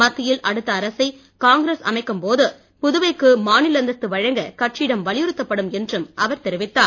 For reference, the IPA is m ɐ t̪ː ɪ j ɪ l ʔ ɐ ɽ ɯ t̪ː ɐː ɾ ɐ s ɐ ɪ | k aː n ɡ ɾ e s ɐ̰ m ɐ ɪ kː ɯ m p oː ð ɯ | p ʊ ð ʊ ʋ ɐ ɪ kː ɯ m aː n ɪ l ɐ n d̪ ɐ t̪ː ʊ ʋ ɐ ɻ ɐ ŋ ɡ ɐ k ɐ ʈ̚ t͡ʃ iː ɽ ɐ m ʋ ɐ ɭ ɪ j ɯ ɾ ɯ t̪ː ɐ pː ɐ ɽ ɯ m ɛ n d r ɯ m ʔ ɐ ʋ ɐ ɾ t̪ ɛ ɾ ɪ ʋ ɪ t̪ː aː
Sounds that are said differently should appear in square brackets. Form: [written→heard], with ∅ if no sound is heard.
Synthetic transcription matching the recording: m ɐ t̪ː ɪ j ɪ l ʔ ɐ ɽ ɯ t̪ː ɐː ɾ ɐ s ɐ ɪ | k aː [n→ŋ] ɡ ɾ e s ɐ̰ m ɐ ɪ kː ɯ m p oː ð ɯ | p ʊ ð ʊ ʋ ɐ ɪ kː ɯ m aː n ɪ l ɐ n d̪ ɐ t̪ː [ʊ→ɯ] ʋ ɐ ɻ ɐ ŋ ɡ ɐ k ɐ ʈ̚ t͡ʃ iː ɽ ɐ m ʋ ɐ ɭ ɪ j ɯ ɾ ɯ t̪ː ɐ pː ɐ ɽ ɯ m ɛ n d r ɯ m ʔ ɐ ʋ ɐ ɾ t̪ ɛ ɾ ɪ ʋ ɪ t̪ː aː